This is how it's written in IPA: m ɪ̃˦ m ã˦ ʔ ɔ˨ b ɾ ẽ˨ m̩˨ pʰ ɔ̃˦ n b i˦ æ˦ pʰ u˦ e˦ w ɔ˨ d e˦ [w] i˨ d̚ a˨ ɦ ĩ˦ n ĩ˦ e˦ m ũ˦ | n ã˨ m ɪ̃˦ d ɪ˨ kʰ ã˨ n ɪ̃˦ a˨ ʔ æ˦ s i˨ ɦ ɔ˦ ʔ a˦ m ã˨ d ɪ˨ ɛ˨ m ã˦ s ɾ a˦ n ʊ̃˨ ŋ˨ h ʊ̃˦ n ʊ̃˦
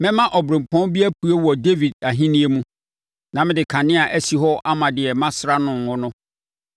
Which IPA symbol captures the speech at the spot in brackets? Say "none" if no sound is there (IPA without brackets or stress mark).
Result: v